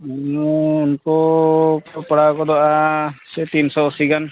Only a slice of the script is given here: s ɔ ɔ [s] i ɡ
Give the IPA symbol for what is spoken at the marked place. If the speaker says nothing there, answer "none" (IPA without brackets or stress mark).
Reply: s